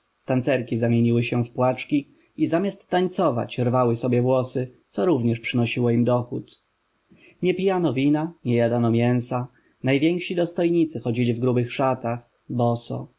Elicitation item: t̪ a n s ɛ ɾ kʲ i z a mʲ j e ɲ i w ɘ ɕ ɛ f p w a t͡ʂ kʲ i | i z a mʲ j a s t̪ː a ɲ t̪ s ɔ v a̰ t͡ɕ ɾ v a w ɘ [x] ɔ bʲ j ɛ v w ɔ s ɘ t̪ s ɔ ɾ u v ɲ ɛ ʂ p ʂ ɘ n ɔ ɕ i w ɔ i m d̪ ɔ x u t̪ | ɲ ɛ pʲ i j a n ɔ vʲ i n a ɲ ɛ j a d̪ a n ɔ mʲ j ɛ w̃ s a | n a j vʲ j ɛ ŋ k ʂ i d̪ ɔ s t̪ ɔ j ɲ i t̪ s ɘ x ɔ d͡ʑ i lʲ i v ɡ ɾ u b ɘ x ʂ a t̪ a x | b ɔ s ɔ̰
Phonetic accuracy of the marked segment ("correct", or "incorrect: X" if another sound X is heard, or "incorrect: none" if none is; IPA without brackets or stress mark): incorrect: s